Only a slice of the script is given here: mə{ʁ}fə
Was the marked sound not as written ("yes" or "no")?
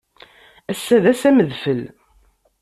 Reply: yes